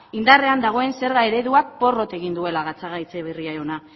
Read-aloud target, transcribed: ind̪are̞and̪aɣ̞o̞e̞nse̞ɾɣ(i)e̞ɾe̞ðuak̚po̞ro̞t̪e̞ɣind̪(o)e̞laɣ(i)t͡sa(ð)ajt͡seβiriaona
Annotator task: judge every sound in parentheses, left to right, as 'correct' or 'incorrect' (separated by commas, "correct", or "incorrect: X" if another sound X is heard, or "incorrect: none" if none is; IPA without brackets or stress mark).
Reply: incorrect: a, incorrect: u, incorrect: a, incorrect: ɣ